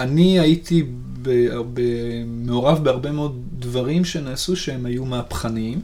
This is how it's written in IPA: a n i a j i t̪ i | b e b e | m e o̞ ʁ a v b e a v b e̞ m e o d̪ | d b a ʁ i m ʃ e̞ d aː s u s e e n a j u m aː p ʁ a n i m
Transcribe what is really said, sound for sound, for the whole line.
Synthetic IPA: a n i a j i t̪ i | b e b e | m e o̞ ʁ a v b e a ʁ b e̞ m e o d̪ | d v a ʁ i m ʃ e̞ n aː s u ʃ e e m a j u m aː p χ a n i m